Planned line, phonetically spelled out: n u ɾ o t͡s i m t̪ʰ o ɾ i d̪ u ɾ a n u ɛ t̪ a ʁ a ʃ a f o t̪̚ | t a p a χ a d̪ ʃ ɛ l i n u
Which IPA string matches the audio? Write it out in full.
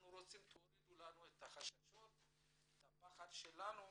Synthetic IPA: n u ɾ o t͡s i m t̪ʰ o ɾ i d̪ u l a n u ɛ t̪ a χ a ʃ a ʃ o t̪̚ | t a p a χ a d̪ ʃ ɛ l a n u